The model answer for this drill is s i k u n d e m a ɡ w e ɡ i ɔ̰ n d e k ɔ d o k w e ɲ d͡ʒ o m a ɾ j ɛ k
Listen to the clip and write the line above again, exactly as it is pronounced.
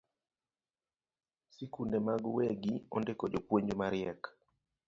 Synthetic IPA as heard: s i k u n d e m a ɡ w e ɡ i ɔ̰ n d e k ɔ d͡ʒ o p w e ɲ d͡ʒ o m a ɾ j ɛ k